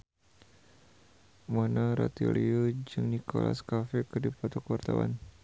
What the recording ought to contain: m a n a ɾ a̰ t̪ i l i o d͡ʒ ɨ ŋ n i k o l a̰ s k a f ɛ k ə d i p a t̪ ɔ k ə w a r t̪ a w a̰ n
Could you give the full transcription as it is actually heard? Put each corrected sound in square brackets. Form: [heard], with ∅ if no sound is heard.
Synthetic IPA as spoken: m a n a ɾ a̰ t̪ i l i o d͡ʒ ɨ ŋ n i k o l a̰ s k a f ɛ k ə d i p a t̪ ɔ k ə w a r t̪ a w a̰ n